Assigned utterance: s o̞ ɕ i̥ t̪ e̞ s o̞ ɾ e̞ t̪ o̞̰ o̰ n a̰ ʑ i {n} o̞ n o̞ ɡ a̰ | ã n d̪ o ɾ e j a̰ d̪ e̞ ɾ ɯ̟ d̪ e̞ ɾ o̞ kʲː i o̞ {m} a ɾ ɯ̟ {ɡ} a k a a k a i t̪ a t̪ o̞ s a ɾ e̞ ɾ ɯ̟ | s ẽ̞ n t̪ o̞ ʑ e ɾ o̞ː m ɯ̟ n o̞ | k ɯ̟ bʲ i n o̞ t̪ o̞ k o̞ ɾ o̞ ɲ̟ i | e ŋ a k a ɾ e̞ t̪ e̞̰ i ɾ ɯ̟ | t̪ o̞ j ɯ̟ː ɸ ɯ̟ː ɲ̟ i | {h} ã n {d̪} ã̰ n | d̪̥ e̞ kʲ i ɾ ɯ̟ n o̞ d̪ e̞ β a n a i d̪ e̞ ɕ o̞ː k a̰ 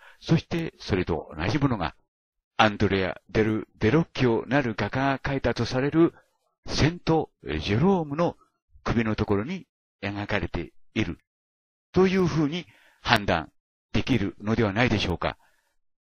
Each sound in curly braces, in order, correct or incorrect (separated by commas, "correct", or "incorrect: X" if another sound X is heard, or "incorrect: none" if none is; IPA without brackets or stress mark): incorrect: m, incorrect: n, correct, correct, correct